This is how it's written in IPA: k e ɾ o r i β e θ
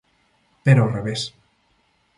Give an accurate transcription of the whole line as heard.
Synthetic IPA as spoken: p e ɾ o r e β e s